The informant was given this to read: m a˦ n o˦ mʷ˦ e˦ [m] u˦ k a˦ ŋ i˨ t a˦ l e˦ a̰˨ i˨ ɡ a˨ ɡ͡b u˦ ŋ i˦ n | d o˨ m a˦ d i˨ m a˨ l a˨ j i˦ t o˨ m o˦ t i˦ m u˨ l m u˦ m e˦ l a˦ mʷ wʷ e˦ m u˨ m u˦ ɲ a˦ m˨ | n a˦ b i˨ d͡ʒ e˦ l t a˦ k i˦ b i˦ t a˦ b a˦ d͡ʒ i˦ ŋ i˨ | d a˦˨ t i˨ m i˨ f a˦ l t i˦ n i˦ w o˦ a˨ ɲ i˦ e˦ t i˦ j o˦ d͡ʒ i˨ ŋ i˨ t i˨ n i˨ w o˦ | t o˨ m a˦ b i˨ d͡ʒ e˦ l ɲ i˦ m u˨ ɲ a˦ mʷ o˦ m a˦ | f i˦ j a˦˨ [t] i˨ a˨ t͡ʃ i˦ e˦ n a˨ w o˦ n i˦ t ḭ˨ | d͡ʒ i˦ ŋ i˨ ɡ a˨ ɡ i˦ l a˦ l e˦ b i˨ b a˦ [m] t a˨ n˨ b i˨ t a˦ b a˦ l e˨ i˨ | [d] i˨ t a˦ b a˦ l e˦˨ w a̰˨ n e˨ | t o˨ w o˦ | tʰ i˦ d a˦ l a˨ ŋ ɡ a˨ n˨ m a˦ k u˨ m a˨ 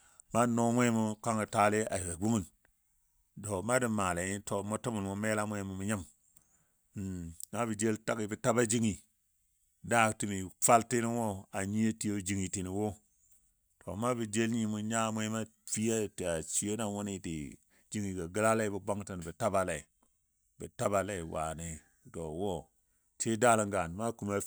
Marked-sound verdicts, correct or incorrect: correct, correct, incorrect, incorrect

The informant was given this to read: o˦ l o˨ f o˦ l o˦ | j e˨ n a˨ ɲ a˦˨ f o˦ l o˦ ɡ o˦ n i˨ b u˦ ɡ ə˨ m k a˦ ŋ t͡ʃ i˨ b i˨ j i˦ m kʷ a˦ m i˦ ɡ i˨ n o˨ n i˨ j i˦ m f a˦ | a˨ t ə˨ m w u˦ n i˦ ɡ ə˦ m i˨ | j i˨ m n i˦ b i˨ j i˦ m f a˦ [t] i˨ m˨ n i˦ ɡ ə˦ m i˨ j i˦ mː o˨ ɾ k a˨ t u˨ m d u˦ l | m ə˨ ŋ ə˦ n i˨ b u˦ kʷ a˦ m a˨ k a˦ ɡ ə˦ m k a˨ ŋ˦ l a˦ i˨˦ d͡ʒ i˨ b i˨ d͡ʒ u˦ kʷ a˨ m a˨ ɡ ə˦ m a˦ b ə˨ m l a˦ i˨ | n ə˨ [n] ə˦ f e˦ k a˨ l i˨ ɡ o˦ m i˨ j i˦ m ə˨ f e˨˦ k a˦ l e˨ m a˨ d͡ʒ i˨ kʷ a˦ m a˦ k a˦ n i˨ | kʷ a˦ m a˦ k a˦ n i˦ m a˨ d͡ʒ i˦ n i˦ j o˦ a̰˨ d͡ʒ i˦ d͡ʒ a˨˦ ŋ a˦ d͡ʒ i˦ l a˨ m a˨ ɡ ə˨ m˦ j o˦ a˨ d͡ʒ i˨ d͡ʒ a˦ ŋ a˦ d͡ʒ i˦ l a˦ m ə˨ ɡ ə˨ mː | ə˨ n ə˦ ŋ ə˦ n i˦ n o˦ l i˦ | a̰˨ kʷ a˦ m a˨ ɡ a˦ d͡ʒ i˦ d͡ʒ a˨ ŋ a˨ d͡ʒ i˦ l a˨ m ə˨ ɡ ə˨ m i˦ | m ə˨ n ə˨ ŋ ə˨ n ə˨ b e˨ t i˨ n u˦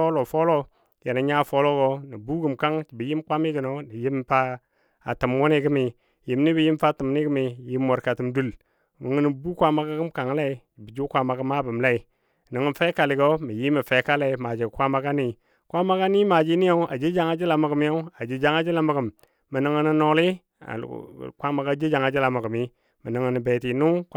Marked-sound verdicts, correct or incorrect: correct, incorrect

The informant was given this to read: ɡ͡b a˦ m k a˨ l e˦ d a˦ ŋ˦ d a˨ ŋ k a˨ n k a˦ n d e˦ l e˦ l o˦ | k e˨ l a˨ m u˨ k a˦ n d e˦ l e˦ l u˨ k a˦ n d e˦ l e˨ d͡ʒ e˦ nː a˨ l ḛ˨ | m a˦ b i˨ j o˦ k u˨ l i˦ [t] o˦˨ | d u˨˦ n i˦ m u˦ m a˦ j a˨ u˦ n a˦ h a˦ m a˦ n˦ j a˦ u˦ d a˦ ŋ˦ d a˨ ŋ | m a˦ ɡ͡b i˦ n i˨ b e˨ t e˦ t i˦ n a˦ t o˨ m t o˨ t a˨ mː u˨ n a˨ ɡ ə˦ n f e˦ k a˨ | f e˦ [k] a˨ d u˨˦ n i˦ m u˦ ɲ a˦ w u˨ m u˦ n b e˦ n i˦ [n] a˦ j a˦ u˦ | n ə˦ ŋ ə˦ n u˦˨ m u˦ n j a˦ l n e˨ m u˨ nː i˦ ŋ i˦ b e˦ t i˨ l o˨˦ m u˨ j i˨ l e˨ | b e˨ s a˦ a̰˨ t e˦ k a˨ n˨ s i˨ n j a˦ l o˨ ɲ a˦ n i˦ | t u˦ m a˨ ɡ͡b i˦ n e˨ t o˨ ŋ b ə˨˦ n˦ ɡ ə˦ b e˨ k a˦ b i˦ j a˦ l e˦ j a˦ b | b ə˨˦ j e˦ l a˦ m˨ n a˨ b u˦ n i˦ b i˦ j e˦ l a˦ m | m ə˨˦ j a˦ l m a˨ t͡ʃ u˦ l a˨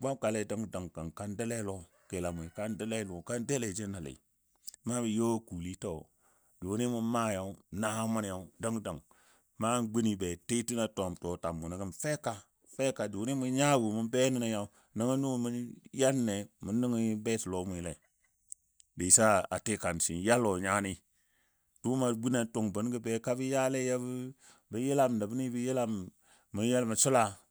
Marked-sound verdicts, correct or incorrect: correct, correct, correct

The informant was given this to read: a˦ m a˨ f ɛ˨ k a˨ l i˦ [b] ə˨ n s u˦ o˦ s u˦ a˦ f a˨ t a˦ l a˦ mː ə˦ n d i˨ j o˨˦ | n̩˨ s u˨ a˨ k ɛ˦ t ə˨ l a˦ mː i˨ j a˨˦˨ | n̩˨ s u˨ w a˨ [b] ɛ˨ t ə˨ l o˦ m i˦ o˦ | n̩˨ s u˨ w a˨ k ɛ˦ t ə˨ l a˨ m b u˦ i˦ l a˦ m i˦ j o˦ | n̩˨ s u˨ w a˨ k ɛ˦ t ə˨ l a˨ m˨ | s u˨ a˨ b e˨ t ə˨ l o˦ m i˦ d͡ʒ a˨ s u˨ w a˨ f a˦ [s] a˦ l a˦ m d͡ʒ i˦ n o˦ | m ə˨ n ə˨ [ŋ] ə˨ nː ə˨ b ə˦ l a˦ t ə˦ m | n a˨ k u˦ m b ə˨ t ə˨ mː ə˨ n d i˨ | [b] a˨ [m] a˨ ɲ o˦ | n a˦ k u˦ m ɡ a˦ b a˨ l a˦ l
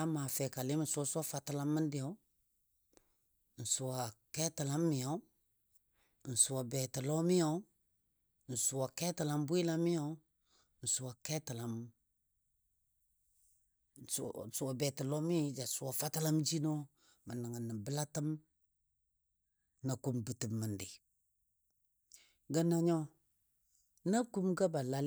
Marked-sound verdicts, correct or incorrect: incorrect, correct, incorrect, correct, incorrect, incorrect

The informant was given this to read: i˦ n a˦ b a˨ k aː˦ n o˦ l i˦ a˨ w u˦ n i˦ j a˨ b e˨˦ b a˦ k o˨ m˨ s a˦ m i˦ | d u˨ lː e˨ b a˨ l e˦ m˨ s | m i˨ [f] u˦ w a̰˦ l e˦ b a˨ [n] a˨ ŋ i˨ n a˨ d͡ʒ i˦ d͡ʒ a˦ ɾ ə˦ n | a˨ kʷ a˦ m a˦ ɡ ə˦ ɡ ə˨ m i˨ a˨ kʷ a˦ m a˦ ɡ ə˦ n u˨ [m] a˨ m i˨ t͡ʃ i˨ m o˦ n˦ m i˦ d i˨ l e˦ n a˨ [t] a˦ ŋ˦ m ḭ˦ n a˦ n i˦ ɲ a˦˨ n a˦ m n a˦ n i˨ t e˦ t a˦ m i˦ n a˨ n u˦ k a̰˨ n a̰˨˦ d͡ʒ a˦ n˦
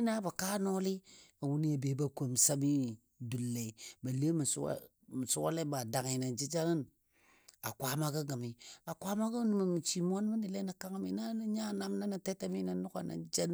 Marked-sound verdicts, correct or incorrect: incorrect, incorrect, correct, incorrect

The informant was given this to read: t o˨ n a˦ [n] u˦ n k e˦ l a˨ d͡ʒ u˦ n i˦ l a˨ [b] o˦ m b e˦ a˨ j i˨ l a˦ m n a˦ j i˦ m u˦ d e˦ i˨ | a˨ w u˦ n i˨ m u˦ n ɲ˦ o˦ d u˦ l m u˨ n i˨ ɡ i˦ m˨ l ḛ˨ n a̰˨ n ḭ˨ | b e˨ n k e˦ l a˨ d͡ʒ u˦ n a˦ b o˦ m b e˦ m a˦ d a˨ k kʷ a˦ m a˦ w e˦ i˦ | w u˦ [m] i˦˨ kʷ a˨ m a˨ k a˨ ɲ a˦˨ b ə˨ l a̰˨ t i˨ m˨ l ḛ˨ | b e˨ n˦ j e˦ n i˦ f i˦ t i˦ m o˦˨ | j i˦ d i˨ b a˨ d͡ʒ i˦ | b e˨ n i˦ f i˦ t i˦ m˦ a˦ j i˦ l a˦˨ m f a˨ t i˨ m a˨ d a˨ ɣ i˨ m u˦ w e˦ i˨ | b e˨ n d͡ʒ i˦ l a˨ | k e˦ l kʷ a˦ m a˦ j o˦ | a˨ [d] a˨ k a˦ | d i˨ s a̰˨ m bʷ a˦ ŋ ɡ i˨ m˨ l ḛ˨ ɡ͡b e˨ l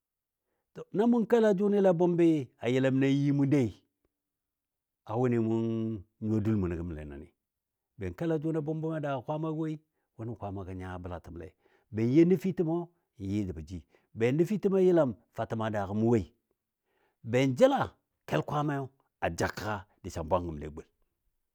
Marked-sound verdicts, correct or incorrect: incorrect, correct, incorrect, incorrect

